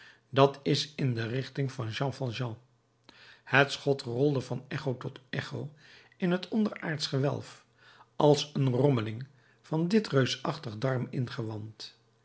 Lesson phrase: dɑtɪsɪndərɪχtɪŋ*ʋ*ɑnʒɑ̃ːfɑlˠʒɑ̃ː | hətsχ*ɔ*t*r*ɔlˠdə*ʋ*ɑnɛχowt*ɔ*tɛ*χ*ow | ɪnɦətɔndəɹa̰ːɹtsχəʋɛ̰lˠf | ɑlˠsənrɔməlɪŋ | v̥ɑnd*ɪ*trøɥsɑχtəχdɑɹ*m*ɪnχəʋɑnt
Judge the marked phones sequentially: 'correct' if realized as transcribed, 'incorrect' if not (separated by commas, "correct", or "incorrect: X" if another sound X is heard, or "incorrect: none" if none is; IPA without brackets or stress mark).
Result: incorrect: v, correct, correct, incorrect: v, correct, correct, correct, correct